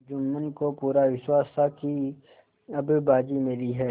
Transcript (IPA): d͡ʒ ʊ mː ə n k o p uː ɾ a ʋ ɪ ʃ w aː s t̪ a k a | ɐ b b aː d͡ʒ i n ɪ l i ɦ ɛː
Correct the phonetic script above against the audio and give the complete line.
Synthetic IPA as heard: d͡ʒ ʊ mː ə n k o p uː ɾ a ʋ ɪ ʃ w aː s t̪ a k i | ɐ b b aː d͡ʒ i m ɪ l i ɦ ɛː